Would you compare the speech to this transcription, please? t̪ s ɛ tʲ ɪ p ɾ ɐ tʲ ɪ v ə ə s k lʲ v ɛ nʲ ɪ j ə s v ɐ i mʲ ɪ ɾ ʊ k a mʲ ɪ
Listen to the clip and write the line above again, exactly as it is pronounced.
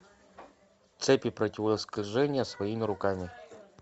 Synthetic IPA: t̪ s ɛ pʲ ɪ p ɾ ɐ tʲ ɪ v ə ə s k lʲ ʐ ɛ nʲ ɪ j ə s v ɐ i mʲ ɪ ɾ ʊ k a mʲ ɪ